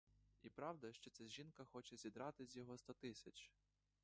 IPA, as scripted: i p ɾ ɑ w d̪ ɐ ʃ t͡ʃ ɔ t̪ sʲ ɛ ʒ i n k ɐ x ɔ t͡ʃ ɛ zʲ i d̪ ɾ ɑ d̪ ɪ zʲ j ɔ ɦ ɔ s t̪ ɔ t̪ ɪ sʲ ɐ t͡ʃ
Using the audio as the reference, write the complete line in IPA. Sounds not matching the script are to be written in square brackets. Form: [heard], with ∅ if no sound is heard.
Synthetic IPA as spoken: i p ɾ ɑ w d̪ ɐ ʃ t͡ʃ ɔ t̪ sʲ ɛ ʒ i n k ɐ x ɔ t͡ʃ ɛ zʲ i d̪ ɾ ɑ [t̪] ɪ zʲ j ɔ ɦ ɔ s t̪ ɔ t̪ ɪ sʲ ɐ t͡ʃ

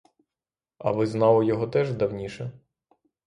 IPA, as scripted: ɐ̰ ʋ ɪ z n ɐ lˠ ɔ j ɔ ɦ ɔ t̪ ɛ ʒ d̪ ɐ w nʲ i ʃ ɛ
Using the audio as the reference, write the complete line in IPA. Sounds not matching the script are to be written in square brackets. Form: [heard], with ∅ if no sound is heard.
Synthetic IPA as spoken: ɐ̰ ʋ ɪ z n [ɑ] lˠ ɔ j ɔ ɦ ɔ t̪ ɛ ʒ d̪ ɐ w nʲ i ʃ ɛ

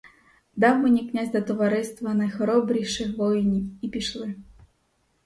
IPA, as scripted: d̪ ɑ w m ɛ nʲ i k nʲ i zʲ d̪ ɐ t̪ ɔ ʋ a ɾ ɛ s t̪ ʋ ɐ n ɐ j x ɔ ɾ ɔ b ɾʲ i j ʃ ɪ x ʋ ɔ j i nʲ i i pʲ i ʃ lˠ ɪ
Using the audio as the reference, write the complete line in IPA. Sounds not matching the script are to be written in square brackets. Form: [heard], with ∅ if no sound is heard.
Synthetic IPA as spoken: d̪ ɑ w m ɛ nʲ i k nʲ [a] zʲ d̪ ɐ t̪ ɔ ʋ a ɾ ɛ s t̪ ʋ ɐ n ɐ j x ɔ ɾ ɔ b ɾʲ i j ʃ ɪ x ʋ ɔ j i nʲ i i pʲ i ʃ lˠ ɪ

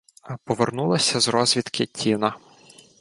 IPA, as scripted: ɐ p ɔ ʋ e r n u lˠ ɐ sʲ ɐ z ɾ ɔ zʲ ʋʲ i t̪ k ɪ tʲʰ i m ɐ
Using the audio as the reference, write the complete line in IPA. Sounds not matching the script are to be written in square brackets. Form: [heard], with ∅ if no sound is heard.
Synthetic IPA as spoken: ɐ p ɔ ʋ e r n u lˠ ɐ sʲ ɐ z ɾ ɔ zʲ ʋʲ i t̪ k ɪ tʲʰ i [n] ɐ

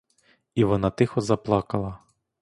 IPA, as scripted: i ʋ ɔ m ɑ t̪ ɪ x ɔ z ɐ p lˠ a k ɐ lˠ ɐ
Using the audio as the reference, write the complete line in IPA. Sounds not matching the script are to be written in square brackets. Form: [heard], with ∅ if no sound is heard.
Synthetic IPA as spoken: i ʋ ɔ [n] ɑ t̪ ɪ x ɔ z ɐ p lˠ [ɑ] k ɐ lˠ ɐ

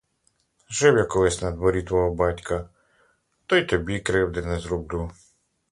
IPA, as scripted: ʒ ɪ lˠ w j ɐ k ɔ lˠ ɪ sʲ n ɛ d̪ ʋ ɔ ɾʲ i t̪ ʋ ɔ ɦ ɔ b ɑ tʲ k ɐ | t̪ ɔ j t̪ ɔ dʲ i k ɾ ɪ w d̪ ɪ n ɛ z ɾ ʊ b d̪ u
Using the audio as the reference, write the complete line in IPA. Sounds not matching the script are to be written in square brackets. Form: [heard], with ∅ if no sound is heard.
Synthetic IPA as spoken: ʒ ɪ [∅] w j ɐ k ɔ lˠ ɪ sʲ n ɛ d̪ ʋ ɔ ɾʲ i t̪ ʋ ɔ ɦ ɔ b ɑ tʲ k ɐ | t̪ ɔ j t̪ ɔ [bʲ] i k ɾ ɪ w d̪ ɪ n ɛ z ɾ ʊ b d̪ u

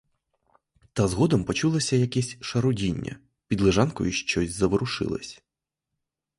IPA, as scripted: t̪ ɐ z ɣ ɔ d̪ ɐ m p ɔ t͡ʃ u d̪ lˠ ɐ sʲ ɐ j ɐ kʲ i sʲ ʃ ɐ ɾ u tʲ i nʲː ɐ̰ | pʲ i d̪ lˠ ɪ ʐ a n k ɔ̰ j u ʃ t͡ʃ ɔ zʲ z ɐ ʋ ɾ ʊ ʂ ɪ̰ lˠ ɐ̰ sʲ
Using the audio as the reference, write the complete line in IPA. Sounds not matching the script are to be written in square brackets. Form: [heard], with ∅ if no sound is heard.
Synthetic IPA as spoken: t̪ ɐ z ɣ ɔ d̪ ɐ m p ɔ t͡ʃ u [∅] lˠ ɐ sʲ ɐ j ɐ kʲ [ɛ] sʲ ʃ ɐ ɾ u [dʲ] i nʲː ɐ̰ | pʲ i d̪ lˠ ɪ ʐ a n k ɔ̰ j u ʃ t͡ʃ ɔ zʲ z ɐ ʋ ɾ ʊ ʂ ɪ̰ lˠ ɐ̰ sʲ

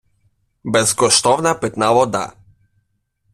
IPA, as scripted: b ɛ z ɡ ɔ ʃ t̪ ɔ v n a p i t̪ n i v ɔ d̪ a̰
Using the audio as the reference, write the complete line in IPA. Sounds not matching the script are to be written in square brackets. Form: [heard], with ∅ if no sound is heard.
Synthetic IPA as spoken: b ɛ z ɡ ɔ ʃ t̪ ɔ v n a p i t̪ n [a] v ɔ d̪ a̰

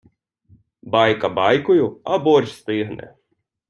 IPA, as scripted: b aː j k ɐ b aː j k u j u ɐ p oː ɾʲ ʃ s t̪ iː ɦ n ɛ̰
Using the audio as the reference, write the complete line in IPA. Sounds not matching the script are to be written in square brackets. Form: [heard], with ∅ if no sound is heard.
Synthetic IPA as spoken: b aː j k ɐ b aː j k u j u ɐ [b] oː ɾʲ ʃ s t̪ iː ɦ n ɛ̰

